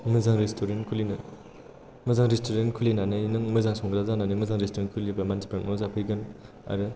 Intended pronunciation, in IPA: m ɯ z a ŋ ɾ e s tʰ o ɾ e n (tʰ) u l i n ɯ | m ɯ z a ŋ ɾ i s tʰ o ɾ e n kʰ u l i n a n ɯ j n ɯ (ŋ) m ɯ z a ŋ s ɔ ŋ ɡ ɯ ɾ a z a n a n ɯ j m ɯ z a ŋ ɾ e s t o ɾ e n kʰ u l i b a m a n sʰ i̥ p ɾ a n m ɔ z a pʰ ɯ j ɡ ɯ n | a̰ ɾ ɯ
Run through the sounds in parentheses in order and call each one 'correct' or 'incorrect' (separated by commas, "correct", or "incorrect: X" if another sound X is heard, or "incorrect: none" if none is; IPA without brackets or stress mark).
incorrect: kʰ, correct